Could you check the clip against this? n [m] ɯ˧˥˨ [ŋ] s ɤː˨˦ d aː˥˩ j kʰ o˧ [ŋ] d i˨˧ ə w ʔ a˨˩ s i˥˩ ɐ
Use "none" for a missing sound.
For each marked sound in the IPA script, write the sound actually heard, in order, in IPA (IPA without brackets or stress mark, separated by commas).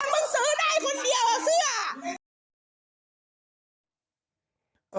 m, ŋ, n